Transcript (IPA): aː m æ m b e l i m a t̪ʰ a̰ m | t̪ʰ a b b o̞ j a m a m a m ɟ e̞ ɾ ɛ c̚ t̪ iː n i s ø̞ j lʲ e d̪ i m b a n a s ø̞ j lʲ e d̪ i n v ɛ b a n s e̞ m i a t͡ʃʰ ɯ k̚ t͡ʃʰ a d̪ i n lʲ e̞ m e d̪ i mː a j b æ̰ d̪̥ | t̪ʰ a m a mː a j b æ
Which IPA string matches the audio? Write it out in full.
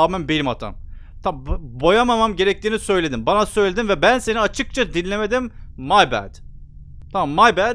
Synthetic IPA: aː m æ m b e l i m a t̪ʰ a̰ m | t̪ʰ a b b o̞ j a m a m a m ɟ e̞ ɾ ɛ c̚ t̪ iː n i s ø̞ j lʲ e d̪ i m b a n a s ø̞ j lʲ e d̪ i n v ɛ b æ n s e̞ n i a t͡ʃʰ ɯ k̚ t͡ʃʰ a d̪ i n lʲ e̞ m e d̪ i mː a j b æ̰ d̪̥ | t̪ʰ a m a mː a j b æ